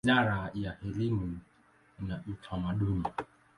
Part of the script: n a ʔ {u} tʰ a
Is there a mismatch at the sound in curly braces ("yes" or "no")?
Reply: no